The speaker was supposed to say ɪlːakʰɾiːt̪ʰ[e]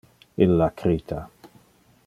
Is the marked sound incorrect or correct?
incorrect: a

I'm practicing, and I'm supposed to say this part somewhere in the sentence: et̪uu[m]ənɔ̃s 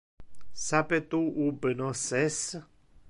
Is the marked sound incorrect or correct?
incorrect: b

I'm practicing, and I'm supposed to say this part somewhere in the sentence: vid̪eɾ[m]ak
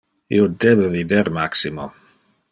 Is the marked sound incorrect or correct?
correct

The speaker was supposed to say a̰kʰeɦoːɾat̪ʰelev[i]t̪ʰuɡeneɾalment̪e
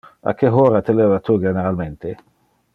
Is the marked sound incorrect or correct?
incorrect: a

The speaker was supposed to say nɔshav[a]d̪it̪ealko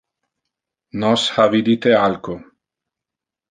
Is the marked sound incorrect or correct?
incorrect: i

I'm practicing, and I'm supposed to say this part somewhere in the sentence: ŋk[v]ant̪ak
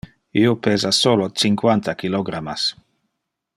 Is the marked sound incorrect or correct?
incorrect: w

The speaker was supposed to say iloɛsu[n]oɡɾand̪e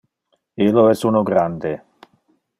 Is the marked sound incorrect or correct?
correct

